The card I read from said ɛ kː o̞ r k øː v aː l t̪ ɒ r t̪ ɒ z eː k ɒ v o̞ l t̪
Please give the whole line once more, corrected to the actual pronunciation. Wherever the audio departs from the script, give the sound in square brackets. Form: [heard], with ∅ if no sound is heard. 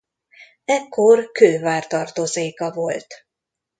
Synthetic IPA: ɛ kː o̞ r k øː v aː [r] t̪ ɒ r t̪ [o] z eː k ɒ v o̞ l t̪